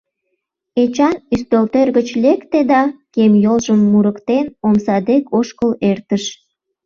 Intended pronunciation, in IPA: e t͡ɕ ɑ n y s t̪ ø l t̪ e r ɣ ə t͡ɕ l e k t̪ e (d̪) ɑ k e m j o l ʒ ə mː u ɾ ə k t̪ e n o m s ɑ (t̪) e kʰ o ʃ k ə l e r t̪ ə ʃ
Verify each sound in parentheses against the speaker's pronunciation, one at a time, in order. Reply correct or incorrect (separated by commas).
correct, incorrect